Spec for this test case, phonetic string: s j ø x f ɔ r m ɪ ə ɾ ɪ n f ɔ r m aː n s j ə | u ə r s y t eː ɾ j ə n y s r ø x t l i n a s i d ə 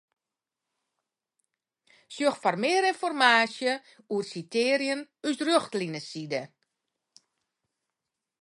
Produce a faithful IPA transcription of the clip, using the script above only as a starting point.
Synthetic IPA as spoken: s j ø x f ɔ r m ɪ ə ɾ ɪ n f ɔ r m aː s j ə | u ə r s i t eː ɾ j ə n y s r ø x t l i n ə s i d ə